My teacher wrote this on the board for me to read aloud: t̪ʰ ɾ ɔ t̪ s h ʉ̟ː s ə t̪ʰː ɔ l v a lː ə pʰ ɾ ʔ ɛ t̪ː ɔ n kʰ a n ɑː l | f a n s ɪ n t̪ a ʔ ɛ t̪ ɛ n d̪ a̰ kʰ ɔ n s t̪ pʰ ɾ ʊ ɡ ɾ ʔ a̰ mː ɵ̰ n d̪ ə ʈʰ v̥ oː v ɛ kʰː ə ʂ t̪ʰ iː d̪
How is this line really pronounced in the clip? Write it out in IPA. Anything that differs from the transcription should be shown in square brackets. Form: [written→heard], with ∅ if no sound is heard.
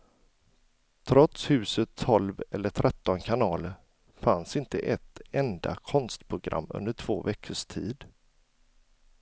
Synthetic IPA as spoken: t̪ʰ ɾ ɔ t̪ s h ʉ̟ː s ə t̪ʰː ɔ l v [a→ɛ] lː ə [pʰ→ʈʰ] ɾ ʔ ɛ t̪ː ɔ n kʰ a n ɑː l | f a n s ɪ n t̪ [a→ə] ʔ ɛ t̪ ɛ n d̪ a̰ kʰ ɔ n s t̪ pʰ ɾ ʊ ɡ ɾ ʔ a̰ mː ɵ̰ n d̪ ə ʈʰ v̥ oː v ɛ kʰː ə ʂ t̪ʰ iː d̪

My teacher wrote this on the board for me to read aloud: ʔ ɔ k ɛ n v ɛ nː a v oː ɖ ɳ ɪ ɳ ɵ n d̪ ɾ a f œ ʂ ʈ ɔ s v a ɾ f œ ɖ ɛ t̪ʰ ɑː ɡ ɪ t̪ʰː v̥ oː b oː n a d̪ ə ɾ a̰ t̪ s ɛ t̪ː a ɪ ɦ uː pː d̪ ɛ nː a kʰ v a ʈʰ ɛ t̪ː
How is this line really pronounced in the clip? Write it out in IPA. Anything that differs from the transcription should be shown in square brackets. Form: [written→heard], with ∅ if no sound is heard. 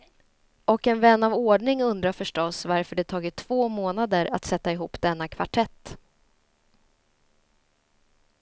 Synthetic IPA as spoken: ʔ ɔ k ɛ n v ɛ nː a v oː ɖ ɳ ɪ [ɳ→ŋ] ɵ n d̪ ɾ a f œ ʂ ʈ ɔ s v a ɾ f œ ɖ ɛ t̪ʰ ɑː ɡ ɪ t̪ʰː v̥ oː [b→m] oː n a d̪ ə ɾ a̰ t̪ s ɛ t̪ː a ɪ ɦ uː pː d̪ ɛ nː a kʰ v a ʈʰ ɛ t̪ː

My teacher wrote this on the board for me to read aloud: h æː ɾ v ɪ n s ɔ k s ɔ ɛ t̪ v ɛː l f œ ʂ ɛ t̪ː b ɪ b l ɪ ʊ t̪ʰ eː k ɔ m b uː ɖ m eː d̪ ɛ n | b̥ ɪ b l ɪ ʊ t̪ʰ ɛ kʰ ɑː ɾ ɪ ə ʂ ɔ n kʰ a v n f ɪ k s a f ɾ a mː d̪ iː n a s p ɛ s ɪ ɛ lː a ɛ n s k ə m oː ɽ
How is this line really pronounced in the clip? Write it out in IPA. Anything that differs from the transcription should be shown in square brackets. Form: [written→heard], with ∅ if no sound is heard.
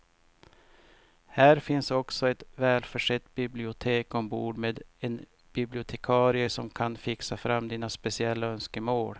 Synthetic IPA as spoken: h æː ɾ [v→f] ɪ n s ɔ k s ɔ ɛ t̪ v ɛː l f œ ʂ ɛ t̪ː b ɪ b l ɪ ʊ t̪ʰ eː k ɔ m b uː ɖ m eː d̪ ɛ n | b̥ ɪ b l ɪ ʊ t̪ʰ ɛ kʰ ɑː ɾ ɪ ə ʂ ɔ [n→m] kʰ a [v→∅] n f ɪ k s a f ɾ a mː d̪ iː n a s p ɛ s ɪ ɛ lː a [ɛ→œ] n s k ə m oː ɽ

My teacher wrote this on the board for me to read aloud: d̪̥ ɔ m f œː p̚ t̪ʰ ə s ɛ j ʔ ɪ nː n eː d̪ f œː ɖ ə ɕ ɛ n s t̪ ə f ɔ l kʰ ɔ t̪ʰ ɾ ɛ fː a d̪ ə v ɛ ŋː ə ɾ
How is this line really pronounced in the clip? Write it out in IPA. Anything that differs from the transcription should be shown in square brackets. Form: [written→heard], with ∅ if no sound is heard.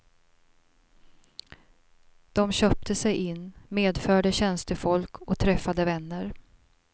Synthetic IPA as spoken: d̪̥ ɔ m [f→ɕ] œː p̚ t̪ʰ ə s ɛ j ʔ ɪ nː [n→m] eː d̪ f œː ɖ ə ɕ ɛ n s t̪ ə f ɔ l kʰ ɔ t̪ʰ ɾ ɛ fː a d̪ ə v ɛ [ŋː→nː] ə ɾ

